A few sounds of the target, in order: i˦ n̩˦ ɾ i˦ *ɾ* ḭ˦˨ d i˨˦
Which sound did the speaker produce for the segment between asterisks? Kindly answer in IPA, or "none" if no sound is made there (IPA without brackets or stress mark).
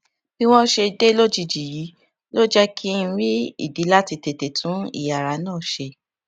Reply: none